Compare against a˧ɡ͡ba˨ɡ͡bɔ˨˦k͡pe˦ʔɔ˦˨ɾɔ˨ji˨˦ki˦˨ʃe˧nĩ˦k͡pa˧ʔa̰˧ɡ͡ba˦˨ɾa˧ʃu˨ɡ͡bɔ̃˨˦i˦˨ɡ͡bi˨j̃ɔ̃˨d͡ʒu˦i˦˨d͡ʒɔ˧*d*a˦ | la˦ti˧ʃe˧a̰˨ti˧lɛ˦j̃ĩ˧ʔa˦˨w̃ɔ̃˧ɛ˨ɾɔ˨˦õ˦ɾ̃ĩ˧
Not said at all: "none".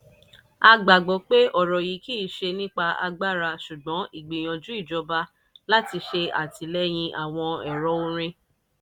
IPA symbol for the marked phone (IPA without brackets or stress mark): b